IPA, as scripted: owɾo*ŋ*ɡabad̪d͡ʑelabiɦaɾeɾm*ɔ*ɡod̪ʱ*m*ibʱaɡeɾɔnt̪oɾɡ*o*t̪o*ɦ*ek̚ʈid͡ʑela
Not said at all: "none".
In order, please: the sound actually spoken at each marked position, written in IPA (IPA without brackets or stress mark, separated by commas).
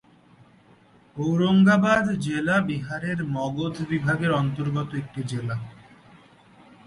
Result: ŋ, ɔ, b, ɔ, none